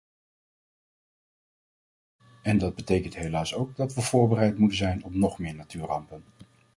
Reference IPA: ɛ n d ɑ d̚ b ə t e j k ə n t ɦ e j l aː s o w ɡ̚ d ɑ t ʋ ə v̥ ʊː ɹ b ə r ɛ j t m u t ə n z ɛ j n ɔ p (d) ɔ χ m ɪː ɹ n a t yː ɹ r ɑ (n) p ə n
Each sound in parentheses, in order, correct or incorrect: incorrect: n, incorrect: m

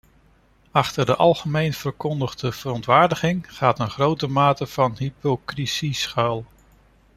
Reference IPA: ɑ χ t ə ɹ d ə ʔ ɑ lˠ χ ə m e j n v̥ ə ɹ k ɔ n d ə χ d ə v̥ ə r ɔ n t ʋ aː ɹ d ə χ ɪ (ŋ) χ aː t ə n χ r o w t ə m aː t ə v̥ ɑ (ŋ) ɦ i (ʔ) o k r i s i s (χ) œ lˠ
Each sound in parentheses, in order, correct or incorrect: correct, incorrect: n, incorrect: p, correct

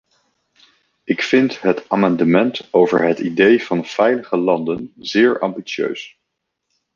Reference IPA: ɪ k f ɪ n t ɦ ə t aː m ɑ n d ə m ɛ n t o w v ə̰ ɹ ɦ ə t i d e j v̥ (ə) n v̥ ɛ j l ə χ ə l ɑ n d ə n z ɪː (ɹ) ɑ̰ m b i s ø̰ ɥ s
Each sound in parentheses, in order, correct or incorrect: incorrect: ɑ, correct

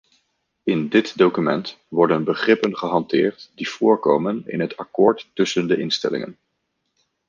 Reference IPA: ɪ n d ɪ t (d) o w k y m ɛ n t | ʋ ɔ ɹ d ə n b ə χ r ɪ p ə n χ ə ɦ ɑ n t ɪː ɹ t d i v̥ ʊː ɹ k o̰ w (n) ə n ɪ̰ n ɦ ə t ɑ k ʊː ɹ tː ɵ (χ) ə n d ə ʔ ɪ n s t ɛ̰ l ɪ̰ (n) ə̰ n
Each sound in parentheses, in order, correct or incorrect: correct, incorrect: m, incorrect: s, incorrect: ŋ

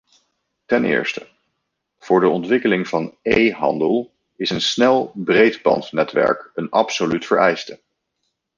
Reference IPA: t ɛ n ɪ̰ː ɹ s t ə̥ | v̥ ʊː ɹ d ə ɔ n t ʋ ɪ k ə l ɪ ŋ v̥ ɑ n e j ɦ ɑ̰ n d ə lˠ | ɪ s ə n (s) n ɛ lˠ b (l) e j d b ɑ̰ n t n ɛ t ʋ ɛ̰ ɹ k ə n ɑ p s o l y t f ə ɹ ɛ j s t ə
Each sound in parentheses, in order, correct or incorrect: correct, incorrect: r

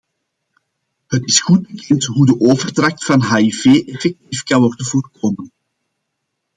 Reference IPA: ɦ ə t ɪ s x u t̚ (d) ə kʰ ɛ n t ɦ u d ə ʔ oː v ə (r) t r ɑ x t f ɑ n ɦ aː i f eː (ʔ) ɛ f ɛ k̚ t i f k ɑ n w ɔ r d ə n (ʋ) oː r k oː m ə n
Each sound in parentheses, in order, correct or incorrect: incorrect: b, correct, correct, incorrect: v

